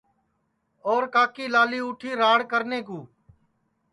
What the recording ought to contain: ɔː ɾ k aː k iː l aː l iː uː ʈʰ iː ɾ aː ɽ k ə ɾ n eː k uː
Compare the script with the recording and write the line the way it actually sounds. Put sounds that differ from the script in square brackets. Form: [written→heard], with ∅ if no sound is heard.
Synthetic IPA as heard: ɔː ɾ k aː k iː l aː l iː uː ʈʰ iː ɾ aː ɽ k ə ɾ n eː k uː